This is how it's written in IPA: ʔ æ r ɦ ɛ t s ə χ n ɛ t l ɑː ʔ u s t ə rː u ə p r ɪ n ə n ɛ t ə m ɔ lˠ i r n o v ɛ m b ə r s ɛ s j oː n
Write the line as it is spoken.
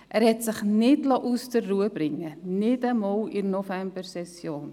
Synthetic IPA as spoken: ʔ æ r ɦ ɛ t s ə χ n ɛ t l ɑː ʔ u s t ə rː u ə b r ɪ ŋ ə n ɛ t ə m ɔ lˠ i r n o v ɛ m b ə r s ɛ s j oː n